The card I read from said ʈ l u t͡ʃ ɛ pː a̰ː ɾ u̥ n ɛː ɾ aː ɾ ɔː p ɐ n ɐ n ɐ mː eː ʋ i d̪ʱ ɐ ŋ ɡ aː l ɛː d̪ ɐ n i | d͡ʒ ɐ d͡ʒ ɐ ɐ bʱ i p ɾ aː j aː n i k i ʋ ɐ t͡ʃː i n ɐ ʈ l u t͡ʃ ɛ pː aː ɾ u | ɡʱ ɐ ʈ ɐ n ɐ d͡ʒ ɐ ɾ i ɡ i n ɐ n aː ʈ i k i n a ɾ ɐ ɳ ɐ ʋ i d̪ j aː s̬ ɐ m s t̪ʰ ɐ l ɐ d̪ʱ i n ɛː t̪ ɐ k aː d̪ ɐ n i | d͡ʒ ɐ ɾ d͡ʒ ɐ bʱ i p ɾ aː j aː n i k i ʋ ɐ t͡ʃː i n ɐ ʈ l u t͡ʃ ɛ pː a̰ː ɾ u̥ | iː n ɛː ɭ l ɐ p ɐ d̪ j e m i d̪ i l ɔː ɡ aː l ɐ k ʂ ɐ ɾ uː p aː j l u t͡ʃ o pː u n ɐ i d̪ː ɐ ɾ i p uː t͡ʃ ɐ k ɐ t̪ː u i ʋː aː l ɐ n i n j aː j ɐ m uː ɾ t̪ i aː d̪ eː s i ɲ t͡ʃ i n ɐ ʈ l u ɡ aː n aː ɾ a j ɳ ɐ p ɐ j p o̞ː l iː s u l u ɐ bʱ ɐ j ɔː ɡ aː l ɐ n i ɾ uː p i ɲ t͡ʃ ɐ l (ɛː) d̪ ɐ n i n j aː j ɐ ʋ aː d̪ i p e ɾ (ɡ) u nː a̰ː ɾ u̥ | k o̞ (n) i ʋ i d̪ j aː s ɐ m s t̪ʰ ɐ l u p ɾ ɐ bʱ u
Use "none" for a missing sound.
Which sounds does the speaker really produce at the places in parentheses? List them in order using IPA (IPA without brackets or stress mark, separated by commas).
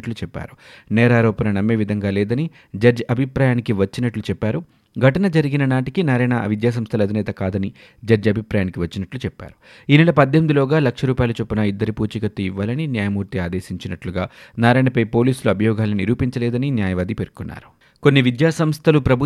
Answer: ɛː, k, nː